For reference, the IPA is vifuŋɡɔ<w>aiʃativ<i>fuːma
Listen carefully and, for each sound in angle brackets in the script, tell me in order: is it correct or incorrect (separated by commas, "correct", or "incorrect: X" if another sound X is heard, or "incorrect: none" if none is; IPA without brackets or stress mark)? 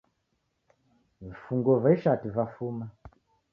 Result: incorrect: v, incorrect: a